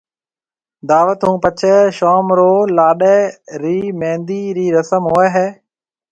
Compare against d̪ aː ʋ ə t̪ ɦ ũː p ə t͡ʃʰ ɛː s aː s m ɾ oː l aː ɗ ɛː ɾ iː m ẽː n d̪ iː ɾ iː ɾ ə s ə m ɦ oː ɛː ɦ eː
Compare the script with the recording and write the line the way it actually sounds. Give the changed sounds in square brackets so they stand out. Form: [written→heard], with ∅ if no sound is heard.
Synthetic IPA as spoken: d̪ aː ʋ ə t̪ ɦ ũː p ə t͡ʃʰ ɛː [s→ʃ] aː [s→∅] m ɾ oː l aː ɗ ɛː ɾ iː m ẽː n d̪ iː ɾ iː ɾ ə s ə m ɦ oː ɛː ɦ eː